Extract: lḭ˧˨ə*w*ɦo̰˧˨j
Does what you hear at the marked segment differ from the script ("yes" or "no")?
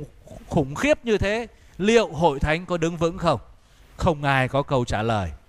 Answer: no